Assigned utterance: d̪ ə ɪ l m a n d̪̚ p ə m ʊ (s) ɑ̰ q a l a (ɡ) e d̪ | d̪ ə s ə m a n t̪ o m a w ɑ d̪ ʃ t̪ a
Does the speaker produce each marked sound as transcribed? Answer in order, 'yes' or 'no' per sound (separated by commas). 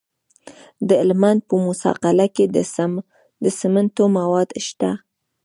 yes, no